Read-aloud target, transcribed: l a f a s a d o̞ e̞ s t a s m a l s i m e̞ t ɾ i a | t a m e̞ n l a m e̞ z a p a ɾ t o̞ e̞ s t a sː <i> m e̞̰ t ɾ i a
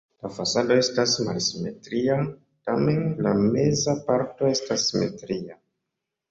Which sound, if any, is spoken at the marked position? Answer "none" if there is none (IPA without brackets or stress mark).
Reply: i